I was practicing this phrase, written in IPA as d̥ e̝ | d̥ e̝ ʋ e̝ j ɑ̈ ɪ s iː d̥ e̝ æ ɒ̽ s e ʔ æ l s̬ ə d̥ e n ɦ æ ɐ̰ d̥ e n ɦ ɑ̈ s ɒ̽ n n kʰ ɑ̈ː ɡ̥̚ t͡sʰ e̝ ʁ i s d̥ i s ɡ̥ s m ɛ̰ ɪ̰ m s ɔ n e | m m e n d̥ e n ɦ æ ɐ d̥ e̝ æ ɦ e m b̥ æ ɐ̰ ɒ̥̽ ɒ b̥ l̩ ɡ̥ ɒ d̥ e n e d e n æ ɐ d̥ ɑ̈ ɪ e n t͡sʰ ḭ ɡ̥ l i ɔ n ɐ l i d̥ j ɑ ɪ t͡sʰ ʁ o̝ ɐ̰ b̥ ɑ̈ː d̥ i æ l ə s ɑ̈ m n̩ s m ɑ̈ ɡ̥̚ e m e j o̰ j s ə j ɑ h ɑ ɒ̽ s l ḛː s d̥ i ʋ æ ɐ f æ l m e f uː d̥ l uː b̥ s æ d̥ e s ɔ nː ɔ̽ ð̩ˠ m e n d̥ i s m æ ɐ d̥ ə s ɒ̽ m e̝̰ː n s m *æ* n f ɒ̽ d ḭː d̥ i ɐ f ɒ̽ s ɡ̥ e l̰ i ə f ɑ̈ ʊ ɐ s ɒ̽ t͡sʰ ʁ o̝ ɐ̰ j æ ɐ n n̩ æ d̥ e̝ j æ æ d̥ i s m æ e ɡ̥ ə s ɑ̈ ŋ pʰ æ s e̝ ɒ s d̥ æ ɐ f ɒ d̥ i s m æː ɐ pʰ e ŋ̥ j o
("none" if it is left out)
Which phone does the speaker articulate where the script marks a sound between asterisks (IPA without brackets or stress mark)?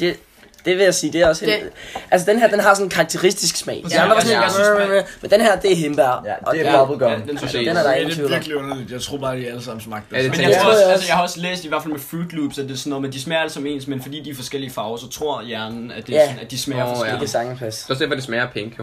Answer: e